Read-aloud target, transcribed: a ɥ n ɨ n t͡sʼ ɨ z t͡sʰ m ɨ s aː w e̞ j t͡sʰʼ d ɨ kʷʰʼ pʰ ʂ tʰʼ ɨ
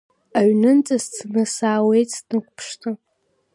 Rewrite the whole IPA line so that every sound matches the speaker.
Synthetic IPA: a ɥ n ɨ n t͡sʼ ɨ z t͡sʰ n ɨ s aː w e̞ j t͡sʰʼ n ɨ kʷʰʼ pʰ ʂ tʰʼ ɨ